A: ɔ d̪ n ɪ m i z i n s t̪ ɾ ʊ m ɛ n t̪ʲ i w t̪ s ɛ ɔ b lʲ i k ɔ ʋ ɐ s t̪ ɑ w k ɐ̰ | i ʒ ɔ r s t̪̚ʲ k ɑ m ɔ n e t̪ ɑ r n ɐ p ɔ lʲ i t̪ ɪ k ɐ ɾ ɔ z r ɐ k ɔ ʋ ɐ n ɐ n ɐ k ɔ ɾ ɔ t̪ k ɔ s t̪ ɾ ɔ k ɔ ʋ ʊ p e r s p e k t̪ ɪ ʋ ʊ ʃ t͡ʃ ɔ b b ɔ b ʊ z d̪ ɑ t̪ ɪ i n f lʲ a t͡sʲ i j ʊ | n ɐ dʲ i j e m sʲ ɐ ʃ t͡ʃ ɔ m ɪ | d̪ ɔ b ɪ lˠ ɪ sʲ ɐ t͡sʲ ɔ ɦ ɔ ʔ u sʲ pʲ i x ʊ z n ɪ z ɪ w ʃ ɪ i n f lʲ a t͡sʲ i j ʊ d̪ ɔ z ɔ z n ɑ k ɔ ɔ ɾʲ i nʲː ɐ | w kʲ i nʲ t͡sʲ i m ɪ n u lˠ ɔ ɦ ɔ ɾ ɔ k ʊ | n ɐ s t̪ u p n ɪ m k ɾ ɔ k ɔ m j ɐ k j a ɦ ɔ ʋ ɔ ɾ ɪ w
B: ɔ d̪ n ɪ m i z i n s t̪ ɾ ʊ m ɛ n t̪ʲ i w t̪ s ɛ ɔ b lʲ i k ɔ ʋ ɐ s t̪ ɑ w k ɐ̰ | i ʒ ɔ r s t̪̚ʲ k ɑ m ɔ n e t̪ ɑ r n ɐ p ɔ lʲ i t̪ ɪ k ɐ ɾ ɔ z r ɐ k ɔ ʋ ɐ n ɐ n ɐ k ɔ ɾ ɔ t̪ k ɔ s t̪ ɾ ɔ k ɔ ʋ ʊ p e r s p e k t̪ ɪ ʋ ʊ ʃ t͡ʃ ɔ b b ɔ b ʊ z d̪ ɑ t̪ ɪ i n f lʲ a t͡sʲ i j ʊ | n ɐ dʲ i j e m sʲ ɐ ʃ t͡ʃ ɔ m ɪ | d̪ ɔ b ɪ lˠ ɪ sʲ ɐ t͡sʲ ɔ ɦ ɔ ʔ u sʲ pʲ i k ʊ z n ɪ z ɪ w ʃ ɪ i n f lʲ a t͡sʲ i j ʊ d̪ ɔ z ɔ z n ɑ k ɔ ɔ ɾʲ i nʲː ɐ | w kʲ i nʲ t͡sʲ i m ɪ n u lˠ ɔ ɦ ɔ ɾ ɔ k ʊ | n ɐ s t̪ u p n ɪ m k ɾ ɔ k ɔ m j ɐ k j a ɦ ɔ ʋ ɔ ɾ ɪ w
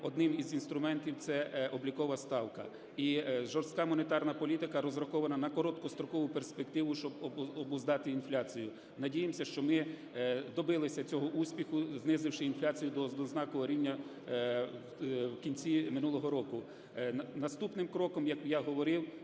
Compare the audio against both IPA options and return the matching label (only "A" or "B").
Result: A